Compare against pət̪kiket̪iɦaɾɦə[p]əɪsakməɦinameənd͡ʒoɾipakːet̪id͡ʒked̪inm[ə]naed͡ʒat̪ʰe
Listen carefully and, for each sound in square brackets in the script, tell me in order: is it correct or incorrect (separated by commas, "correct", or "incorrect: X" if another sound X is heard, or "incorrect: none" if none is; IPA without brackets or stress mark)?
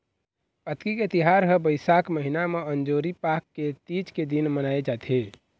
incorrect: b, correct